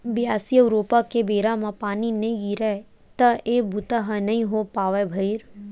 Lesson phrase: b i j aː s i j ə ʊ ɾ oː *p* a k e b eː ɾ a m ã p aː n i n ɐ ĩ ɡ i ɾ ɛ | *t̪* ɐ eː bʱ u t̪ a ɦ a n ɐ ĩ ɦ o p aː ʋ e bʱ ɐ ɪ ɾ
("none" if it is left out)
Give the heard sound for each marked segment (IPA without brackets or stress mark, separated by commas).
p, t̪